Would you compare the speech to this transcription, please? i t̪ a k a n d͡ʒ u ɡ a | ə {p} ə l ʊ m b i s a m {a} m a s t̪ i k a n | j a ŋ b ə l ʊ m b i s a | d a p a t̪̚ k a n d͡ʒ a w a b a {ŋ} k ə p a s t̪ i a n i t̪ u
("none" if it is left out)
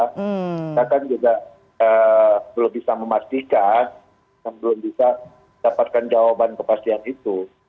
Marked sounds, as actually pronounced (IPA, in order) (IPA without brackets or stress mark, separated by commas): b, ə, n